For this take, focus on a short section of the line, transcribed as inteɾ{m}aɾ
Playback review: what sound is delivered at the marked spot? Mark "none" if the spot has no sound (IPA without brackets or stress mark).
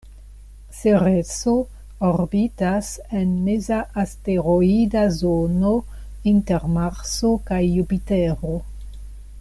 m